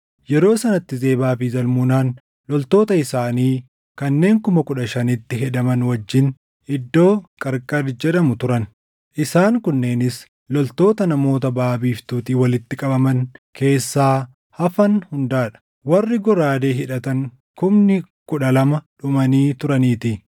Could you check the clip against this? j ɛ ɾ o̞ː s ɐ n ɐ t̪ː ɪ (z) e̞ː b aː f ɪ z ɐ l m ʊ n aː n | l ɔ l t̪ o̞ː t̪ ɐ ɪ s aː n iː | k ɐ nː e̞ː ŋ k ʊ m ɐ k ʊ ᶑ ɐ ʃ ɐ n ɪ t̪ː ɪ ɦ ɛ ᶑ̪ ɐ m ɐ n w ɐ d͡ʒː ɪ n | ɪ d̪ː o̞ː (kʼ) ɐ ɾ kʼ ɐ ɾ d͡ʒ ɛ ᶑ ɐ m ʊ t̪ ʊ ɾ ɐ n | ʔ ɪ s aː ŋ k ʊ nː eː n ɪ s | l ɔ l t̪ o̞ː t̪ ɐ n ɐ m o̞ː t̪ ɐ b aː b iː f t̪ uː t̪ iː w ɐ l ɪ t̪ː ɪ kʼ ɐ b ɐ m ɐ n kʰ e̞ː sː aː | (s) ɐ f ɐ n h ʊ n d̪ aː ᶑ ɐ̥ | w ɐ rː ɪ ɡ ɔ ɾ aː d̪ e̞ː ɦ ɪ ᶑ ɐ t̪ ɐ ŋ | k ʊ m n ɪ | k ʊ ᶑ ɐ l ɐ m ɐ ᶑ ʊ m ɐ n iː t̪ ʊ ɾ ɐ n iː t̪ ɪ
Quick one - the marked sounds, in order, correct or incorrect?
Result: correct, correct, incorrect

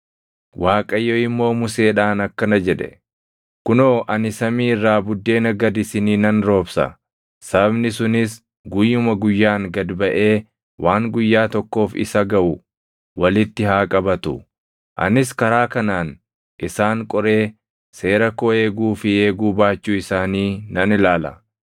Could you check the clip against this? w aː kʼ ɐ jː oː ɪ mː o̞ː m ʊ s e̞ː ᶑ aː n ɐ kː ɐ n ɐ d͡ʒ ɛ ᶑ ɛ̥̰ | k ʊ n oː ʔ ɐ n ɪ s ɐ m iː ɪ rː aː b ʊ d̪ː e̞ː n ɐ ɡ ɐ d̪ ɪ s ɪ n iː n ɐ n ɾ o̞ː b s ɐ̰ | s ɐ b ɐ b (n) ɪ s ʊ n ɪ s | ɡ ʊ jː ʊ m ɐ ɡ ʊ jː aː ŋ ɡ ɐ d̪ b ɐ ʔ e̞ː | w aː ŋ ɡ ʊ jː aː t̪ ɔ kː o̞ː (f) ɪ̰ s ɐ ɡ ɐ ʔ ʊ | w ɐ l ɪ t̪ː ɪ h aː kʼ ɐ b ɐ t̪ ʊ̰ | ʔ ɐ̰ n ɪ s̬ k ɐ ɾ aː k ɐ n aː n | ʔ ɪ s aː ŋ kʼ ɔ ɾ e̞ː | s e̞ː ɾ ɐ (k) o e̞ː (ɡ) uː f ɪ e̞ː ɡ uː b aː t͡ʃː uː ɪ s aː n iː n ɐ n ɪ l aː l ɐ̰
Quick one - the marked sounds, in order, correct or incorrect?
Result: correct, correct, correct, correct

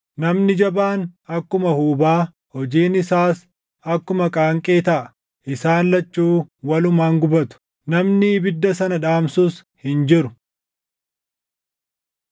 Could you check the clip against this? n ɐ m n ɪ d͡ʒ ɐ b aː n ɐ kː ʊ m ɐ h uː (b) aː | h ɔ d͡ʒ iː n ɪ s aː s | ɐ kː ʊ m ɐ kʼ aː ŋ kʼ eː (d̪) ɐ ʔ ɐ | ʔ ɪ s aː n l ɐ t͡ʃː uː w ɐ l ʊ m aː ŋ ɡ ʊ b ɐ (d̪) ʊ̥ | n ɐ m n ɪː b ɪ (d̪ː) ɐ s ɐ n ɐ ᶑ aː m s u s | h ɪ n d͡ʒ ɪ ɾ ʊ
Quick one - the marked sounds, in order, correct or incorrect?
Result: correct, incorrect, incorrect, correct

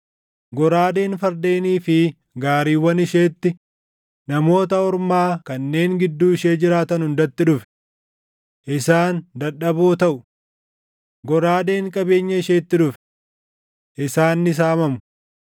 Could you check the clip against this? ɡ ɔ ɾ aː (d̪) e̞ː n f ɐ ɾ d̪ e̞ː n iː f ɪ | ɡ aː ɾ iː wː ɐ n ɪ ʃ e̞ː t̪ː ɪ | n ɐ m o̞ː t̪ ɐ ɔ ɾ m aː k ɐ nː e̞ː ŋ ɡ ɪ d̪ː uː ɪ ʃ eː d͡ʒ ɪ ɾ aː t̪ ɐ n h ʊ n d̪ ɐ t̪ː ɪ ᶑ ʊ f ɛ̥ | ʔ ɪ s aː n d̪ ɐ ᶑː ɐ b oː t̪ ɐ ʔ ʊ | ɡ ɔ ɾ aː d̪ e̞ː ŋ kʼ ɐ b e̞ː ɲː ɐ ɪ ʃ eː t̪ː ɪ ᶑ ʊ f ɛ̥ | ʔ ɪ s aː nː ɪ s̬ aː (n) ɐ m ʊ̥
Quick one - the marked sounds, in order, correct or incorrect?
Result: correct, incorrect

